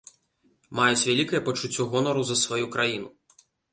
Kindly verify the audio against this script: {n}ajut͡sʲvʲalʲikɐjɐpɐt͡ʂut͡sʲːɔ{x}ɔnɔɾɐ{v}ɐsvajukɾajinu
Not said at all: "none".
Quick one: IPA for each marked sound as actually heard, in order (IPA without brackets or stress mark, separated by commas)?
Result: m, ɣ, z